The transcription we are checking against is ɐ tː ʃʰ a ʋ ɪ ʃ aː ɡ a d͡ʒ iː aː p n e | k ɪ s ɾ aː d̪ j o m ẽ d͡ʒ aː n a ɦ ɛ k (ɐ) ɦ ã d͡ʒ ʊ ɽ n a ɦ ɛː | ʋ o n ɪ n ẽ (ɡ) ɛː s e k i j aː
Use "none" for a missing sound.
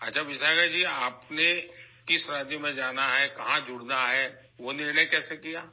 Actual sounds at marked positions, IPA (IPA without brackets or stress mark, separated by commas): ɐ, k